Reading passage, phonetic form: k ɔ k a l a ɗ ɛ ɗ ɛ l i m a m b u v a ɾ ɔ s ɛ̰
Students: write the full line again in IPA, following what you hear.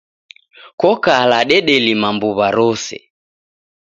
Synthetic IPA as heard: k ɔ k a l a ɗ ɛ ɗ ɛ l i m a m b u β a ɾ ɔ s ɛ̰